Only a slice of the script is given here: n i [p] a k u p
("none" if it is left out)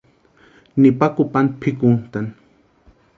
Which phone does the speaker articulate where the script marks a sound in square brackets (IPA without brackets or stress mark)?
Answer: p